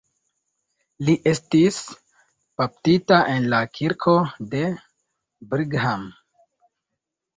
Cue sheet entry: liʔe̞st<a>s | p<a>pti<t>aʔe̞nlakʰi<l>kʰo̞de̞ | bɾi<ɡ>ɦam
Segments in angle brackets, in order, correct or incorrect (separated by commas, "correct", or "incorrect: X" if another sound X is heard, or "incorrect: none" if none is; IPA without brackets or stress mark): incorrect: i, correct, correct, incorrect: ɾ, correct